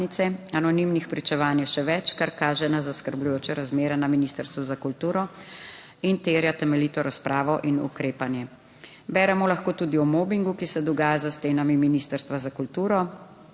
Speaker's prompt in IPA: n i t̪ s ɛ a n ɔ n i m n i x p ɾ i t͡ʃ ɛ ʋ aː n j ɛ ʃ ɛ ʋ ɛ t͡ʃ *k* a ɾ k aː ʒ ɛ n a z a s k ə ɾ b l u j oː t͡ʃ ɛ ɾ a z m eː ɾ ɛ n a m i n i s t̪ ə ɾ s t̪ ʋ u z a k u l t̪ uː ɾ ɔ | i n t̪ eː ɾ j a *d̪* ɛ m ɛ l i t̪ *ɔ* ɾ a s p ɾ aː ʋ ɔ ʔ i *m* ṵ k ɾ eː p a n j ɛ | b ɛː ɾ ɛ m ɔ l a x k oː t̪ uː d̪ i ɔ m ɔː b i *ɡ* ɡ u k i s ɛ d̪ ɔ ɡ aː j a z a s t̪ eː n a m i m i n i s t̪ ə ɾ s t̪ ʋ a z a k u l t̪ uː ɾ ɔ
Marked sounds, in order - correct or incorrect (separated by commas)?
correct, incorrect, correct, incorrect, incorrect